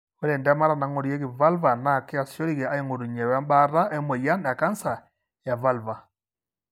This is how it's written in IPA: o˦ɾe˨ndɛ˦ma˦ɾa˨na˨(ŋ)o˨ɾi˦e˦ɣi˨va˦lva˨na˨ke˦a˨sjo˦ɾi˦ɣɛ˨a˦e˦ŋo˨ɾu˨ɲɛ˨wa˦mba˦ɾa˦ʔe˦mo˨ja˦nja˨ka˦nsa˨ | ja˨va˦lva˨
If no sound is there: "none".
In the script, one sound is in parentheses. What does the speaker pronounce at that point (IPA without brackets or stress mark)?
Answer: ŋ